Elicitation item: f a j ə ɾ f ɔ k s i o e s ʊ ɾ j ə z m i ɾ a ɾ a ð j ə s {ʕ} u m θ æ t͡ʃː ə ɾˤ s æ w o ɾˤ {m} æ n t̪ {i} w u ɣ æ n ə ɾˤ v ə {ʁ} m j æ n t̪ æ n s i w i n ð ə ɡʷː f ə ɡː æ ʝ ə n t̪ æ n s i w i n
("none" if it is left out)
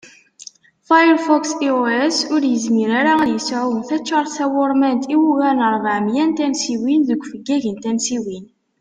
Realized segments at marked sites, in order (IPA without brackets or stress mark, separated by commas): ʕ, m, i, ʕ